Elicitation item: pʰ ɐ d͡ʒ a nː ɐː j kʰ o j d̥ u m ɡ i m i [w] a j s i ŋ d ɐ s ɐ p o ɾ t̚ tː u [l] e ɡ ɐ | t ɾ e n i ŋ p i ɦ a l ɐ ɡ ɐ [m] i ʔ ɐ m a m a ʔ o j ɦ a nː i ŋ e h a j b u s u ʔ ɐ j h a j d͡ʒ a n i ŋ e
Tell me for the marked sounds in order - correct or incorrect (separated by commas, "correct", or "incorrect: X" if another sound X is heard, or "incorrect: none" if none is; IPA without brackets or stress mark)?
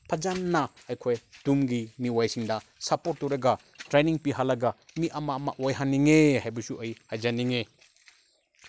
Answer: correct, incorrect: ɾ, correct